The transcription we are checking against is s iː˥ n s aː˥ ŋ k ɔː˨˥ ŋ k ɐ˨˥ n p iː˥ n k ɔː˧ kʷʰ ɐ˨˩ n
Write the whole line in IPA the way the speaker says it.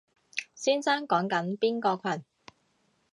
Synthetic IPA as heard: s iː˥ n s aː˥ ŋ k ɔː˨˥ ŋ k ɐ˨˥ n p iː˥ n k ɔː˧ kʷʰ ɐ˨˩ n